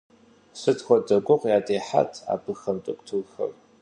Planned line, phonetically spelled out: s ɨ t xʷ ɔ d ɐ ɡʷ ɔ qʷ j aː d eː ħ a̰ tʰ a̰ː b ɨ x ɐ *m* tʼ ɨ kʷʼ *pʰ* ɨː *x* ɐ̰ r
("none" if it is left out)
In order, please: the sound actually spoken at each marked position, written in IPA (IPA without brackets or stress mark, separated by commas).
m, tʰ, x